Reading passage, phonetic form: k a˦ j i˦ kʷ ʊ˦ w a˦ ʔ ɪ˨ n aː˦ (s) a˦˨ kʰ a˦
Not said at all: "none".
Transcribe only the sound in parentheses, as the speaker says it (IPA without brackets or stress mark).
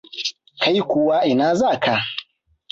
z